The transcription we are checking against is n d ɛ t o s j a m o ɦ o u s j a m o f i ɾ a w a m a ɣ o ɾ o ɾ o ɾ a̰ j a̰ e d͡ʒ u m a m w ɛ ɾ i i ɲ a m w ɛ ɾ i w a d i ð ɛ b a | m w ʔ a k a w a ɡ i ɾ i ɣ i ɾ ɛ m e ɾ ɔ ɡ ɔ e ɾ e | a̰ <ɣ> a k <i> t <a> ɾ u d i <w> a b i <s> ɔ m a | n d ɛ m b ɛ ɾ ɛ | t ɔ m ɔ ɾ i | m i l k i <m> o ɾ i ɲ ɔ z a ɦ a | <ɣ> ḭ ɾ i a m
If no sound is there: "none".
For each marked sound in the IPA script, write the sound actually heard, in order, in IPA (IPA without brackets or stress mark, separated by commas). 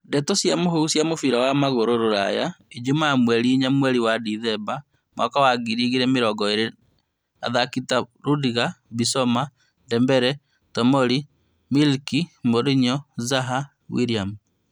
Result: ð, i, a, ɣ, s, m, w